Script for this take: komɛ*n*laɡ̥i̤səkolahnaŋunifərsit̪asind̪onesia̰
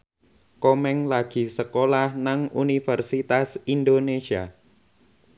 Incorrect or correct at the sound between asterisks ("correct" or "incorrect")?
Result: incorrect